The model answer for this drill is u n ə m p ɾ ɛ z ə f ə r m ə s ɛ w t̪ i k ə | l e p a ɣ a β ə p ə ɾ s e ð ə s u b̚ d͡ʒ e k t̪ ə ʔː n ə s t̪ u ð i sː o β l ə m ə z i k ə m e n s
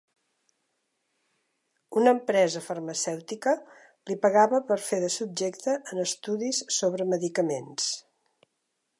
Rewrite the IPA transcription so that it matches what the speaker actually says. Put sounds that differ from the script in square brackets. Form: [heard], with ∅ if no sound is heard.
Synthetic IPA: u n ə m p ɾ ɛ z ə f ə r m ə s ɛ w t̪ i k ə | l [i] p [ə] ɣ a β ə p ə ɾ [f] e ð ə s u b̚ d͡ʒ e k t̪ ə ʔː n ə s t̪ u ð i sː o β [ɾ] ə m ə [ð] i k ə m e n s